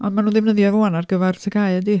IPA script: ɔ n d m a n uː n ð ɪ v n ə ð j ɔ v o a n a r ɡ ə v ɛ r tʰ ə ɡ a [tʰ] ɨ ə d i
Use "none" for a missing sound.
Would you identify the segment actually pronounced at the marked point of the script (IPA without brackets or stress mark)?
none